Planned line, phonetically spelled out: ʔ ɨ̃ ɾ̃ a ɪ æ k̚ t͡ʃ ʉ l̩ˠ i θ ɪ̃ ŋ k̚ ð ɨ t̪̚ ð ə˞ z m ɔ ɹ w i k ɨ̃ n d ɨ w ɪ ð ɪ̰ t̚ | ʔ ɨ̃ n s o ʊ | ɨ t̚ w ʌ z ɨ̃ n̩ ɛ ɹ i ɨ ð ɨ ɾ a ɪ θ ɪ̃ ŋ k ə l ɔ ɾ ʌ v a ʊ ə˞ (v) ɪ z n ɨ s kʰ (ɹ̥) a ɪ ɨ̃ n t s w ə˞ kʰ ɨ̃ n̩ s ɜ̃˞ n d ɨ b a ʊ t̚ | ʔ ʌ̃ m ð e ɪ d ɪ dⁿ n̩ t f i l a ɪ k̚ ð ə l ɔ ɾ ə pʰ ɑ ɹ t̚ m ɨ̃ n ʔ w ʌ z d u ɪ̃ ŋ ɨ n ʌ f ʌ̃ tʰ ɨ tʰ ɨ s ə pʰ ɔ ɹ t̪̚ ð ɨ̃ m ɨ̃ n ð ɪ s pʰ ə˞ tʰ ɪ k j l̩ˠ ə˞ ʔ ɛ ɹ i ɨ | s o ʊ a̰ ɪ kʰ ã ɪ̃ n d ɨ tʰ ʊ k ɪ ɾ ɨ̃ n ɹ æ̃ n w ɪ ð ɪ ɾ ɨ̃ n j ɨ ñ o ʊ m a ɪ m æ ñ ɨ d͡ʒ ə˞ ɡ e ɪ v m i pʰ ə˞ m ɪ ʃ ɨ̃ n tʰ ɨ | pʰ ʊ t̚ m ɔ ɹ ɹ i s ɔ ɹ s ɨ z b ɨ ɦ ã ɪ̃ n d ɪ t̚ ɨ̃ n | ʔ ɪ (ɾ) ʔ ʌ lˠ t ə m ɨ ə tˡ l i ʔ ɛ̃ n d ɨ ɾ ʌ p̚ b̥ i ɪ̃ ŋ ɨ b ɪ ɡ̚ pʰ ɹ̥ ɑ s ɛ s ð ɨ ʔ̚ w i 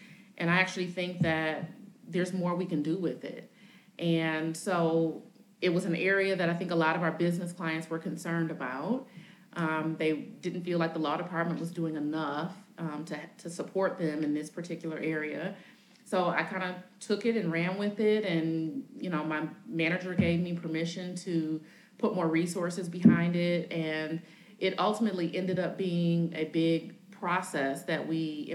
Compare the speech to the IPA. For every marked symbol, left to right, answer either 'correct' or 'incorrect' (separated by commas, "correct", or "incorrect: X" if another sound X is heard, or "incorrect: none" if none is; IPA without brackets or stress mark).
incorrect: b, incorrect: l̥, correct